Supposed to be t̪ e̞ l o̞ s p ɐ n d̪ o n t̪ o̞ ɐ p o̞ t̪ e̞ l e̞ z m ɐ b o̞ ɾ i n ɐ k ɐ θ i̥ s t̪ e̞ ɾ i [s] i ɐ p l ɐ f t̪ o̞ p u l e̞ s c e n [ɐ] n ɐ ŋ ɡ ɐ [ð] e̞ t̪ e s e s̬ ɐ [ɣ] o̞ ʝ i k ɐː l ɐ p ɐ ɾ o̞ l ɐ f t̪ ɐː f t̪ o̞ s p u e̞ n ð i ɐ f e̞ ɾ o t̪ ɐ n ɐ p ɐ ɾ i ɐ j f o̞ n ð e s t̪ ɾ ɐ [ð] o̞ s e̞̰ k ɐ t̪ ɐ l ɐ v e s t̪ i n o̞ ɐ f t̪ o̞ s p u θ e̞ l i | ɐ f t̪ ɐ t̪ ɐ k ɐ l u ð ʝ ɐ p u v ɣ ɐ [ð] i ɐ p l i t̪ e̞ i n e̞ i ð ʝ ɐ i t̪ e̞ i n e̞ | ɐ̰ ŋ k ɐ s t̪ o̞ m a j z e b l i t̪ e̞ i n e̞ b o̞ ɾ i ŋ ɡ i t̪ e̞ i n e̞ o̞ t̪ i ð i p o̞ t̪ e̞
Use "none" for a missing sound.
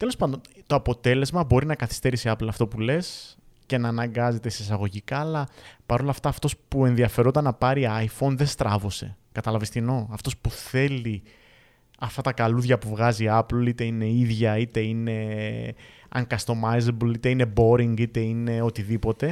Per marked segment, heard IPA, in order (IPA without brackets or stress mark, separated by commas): s, ɐː, z, ɣ, v, z